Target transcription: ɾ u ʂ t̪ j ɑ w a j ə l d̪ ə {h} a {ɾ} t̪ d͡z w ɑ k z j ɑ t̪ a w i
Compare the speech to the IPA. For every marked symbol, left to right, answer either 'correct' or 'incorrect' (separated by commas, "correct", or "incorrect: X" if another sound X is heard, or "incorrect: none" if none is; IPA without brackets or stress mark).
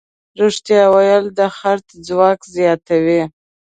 incorrect: x, correct